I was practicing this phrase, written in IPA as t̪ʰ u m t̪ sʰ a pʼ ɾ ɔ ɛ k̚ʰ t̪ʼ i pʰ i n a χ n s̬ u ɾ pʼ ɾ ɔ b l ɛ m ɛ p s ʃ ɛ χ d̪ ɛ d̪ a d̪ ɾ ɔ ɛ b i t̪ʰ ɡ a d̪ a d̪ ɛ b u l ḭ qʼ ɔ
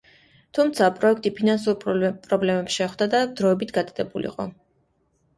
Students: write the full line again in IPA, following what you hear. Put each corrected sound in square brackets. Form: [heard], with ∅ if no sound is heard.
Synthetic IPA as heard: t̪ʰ u m t̪ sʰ a pʼ ɾ ɔ ɛ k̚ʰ t̪ʼ i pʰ i n a [∅] n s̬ u ɾ pʼ ɾ ɔ b l ɛ m ɛ p s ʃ ɛ χ d̪ [a] d̪ a d̪ ɾ ɔ ɛ b i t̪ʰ ɡ a d̪ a d̪ ɛ b u l ḭ qʼ ɔ